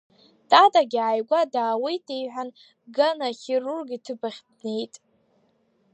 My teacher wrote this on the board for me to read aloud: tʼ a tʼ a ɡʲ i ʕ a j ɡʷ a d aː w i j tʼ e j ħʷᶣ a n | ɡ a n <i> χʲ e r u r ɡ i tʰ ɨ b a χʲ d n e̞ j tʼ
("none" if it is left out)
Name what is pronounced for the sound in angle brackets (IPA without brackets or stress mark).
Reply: a